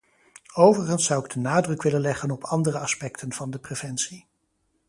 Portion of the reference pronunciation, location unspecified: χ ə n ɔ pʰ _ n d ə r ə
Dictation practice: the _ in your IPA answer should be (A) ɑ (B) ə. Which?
A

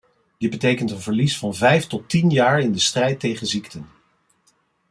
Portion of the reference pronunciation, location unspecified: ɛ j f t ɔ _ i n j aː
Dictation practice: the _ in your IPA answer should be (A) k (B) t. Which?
B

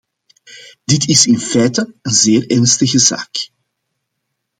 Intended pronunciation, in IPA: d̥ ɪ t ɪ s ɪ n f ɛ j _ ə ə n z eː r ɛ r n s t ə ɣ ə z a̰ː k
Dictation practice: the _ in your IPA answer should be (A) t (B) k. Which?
A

